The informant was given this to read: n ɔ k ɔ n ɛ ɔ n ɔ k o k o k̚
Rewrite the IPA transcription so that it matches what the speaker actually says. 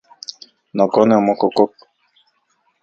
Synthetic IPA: n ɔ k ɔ n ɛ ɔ m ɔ k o k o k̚